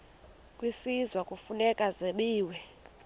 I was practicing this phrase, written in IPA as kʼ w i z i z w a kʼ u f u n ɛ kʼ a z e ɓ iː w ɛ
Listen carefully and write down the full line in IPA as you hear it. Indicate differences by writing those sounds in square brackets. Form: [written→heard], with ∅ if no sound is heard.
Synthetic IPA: kʼ w i [z→s] i z w a kʼ u f u n ɛ kʼ a z e ɓ iː w ɛ